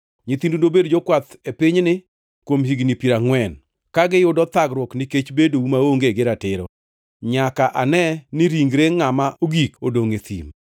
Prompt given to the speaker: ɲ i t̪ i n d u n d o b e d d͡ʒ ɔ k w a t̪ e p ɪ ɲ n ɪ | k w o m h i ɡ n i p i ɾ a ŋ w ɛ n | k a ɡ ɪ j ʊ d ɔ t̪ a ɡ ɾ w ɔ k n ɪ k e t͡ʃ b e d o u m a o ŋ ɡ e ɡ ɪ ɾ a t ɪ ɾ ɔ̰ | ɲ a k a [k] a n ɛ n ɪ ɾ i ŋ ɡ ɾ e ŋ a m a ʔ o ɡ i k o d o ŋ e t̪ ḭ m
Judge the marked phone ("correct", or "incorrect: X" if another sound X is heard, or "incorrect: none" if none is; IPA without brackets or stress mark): incorrect: ʔ